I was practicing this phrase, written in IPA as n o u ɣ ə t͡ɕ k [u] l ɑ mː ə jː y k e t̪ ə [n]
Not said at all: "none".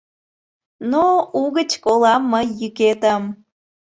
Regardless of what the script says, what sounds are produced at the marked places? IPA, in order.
o, m

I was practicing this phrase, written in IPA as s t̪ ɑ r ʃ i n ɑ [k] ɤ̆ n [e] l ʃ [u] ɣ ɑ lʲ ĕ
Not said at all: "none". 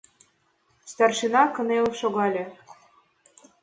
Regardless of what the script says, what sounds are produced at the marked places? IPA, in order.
k, e, o

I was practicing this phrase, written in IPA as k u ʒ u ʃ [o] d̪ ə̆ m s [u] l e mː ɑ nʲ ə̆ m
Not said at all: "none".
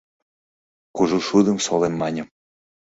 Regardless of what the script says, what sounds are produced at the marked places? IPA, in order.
u, o

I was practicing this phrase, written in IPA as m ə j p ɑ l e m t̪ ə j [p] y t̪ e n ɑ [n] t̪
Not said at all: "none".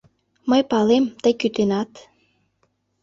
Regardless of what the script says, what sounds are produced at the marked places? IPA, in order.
k, none

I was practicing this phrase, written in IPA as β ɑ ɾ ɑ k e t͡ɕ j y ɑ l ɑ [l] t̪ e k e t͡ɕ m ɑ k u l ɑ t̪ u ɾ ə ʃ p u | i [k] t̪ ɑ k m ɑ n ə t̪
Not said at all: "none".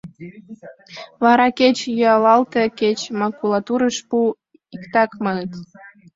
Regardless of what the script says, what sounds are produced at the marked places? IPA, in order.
l, k

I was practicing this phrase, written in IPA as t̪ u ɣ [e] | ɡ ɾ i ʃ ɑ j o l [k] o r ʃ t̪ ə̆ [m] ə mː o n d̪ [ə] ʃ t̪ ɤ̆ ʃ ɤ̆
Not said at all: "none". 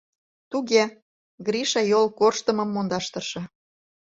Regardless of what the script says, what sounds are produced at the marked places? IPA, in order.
e, k, m, ɑ

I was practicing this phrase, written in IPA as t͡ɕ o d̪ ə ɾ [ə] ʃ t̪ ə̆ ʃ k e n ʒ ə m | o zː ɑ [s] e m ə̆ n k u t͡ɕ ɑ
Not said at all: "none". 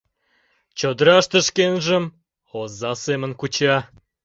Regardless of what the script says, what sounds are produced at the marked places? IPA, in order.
ɑ, s

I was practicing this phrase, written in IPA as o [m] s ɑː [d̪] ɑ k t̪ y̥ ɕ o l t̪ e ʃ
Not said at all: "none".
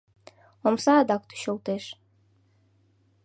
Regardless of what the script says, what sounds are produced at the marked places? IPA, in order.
m, d̪

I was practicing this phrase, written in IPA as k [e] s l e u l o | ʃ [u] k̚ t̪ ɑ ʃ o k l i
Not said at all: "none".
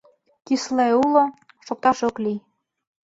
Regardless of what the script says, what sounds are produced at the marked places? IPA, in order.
i, o

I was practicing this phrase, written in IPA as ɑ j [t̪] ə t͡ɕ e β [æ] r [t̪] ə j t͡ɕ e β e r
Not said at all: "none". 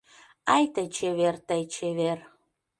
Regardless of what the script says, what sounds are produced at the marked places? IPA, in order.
t̪, e, t̪

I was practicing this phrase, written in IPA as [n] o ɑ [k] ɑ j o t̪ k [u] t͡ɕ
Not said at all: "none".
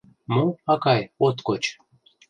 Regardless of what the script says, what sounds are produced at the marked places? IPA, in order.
m, k, o

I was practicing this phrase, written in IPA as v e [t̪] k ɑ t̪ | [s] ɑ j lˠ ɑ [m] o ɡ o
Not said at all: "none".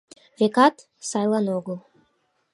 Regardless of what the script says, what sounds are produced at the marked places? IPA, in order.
none, s, n

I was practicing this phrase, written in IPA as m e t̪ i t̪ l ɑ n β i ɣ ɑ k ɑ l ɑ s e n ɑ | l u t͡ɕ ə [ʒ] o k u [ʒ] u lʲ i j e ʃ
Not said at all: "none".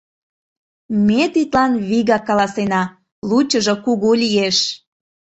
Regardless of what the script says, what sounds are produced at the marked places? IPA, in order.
ʒ, ɣ

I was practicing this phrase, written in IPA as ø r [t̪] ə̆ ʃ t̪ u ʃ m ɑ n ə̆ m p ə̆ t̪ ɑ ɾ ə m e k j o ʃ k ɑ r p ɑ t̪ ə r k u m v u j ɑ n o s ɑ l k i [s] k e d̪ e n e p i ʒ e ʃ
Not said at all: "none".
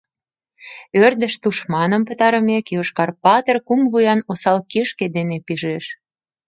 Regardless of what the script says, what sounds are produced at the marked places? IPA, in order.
d̪, ʃ

